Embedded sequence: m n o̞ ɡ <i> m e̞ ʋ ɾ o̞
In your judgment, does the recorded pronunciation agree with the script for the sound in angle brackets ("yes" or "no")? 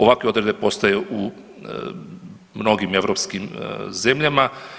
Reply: yes